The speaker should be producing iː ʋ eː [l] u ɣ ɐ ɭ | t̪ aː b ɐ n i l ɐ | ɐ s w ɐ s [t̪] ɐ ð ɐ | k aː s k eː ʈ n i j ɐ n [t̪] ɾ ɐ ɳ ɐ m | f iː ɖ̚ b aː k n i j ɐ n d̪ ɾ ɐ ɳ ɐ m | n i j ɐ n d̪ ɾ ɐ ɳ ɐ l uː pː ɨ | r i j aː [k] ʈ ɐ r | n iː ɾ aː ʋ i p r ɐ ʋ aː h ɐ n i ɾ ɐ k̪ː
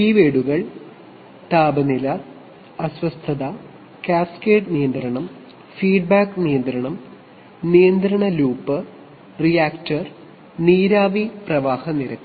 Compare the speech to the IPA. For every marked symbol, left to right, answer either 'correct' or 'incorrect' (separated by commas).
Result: incorrect, incorrect, incorrect, correct